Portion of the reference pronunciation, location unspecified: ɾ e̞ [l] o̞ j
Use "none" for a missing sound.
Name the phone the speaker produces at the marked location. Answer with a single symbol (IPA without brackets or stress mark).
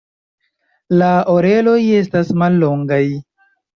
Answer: l